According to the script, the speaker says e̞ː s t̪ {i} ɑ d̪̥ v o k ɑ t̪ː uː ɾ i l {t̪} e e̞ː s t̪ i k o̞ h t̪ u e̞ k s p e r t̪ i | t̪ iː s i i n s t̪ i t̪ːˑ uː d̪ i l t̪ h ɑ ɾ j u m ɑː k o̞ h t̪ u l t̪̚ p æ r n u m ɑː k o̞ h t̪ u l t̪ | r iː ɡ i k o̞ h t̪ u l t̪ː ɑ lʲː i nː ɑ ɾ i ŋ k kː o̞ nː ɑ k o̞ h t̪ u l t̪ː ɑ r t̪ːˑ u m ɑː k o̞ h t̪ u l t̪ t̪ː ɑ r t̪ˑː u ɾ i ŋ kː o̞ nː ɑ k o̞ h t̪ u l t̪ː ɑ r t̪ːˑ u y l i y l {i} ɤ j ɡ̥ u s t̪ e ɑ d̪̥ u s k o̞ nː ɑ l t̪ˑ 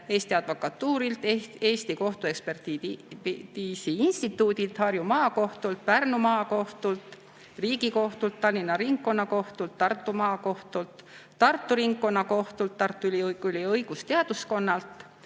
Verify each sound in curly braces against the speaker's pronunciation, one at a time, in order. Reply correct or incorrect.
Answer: correct, correct, correct

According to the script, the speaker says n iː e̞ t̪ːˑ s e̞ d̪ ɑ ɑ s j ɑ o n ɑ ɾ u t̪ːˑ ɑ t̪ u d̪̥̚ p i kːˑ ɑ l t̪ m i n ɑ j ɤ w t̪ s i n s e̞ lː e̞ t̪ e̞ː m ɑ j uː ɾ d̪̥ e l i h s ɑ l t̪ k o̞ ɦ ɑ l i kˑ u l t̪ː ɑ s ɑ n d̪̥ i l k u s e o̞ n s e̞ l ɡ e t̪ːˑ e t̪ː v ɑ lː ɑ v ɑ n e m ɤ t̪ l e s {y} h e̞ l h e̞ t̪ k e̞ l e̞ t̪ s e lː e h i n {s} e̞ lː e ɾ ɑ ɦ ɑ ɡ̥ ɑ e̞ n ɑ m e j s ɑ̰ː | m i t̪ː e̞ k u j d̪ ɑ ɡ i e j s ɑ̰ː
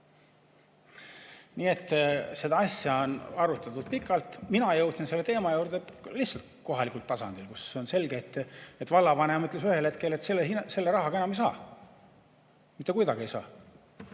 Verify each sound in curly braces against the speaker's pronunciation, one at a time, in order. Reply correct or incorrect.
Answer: correct, correct

